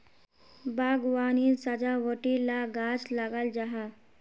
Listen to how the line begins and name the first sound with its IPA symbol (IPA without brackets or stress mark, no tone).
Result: b